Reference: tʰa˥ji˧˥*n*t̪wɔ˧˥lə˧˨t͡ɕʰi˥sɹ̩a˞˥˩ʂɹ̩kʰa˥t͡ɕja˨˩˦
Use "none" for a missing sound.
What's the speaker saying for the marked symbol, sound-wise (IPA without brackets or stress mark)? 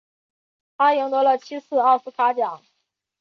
ŋ